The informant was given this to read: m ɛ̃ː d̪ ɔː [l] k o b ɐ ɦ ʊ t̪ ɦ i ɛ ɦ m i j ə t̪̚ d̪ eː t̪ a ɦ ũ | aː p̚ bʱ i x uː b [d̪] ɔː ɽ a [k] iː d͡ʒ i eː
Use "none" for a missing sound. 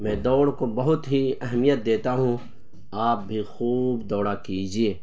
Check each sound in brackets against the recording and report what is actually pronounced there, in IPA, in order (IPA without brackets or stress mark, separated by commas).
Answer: ɽ, d̪, k